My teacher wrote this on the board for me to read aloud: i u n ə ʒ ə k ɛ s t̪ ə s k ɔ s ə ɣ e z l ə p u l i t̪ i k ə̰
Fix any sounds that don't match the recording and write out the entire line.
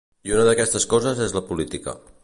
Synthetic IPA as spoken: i u n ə ð ə k ɛ s t̪ ə s k ɔ z ə z e z l ə p u l i t̪ i k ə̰